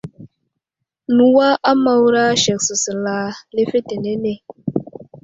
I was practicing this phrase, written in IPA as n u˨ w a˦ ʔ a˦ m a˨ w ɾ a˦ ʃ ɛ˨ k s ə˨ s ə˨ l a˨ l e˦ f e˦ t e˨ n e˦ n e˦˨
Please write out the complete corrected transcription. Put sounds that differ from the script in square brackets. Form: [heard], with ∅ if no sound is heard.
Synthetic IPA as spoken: n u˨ w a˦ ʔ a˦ m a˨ w ɾ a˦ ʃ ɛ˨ k s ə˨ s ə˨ l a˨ l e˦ f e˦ t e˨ n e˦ n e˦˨